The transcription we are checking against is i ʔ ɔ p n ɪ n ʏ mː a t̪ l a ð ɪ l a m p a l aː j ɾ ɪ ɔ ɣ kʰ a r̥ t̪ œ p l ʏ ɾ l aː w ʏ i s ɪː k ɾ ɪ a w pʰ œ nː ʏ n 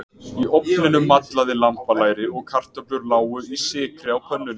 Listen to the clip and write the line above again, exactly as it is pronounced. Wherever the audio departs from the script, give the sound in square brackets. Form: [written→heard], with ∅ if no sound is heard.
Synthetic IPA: i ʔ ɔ p n ɪ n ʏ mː a t̪ l a ð ɪ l a m p a l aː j ɾ ɪ ɔ ɣ kʰ a r̥ t̪ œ p l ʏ ɾ l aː w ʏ i s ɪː k ɾ ɪ a w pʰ œ nː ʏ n